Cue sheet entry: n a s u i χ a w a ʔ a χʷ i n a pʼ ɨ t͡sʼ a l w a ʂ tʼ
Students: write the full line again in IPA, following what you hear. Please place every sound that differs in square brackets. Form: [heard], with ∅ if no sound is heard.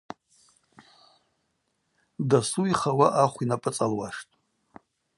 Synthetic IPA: [d] a s u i χ a w a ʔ a χʷ i n a pʼ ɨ t͡sʼ a l w a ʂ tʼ